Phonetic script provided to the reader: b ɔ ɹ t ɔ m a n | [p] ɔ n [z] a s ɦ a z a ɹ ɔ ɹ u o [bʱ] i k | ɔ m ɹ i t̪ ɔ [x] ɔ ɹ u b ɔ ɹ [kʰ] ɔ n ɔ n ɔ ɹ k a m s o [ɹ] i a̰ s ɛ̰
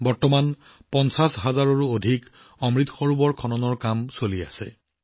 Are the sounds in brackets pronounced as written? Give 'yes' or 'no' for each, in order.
yes, no, no, yes, yes, no

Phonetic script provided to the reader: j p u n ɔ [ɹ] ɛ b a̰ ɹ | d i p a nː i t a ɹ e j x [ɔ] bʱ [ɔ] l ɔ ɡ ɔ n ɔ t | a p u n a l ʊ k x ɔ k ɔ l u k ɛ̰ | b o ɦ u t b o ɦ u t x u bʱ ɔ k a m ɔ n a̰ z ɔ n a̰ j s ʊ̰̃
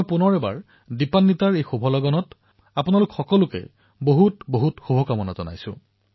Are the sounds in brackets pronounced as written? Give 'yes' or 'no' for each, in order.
yes, no, yes

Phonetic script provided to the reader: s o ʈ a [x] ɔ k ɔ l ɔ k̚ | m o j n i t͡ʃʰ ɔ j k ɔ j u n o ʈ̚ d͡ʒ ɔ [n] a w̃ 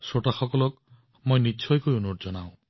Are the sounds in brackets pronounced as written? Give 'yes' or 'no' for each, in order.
yes, yes

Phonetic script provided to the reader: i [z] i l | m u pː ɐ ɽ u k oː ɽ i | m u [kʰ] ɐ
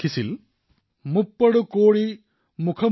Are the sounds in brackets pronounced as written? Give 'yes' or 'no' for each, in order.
no, yes

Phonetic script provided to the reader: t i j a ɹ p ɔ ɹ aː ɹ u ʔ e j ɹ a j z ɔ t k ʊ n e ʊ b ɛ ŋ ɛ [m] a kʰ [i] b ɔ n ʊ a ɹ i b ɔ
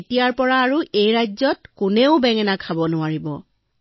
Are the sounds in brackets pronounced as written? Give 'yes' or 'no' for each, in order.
no, no

